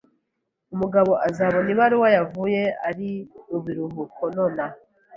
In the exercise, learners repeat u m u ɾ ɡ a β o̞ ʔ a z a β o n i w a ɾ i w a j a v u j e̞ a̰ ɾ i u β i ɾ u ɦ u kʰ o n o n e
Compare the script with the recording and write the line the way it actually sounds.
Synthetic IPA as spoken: u m u ɡ a β o̞ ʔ a z a β o n i β a ɾ i w a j a v u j e̞ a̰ ɾ i u β i ɾ u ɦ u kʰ o n o n a